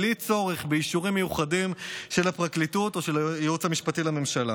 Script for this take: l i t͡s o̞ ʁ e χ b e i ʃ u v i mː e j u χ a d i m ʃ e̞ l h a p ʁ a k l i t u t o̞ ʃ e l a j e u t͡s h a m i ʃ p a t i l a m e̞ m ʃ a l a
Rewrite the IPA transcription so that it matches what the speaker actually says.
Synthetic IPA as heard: l i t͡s o̞ ʁ e χ b e i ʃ u ʁ i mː e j u χ a d i m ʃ e̞ l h a p ʁ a k l i t u t o̞ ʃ e l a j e u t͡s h a m i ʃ p a t i l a m e̞ m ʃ a l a